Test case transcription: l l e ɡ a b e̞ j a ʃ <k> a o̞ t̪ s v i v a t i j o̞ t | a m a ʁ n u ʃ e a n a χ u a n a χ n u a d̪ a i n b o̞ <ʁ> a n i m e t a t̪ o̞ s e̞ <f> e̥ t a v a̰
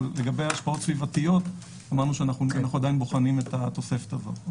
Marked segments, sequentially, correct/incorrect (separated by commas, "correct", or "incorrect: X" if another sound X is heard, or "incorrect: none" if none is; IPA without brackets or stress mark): incorrect: p, incorrect: χ, correct